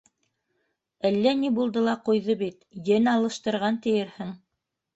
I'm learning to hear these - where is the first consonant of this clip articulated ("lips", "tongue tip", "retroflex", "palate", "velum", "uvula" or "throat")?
tongue tip